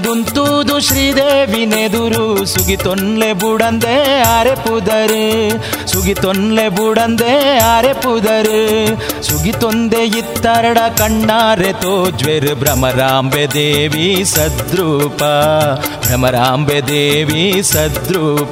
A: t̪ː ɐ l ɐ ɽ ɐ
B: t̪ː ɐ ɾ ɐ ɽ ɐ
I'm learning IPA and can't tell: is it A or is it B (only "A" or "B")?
B